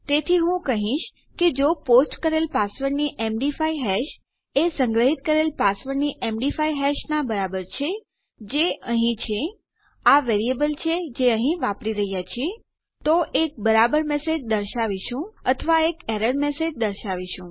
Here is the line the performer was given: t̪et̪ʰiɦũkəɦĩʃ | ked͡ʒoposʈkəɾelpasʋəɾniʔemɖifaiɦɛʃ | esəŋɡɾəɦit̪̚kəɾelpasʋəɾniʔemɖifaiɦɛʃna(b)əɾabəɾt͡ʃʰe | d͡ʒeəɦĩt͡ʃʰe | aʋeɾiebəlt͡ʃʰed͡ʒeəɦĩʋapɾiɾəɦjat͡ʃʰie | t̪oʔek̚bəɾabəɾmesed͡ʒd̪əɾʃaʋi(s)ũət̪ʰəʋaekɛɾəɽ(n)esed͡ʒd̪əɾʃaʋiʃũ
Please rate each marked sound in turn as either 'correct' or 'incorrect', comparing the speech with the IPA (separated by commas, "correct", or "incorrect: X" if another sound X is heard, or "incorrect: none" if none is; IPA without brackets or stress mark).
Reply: correct, incorrect: ʃ, incorrect: m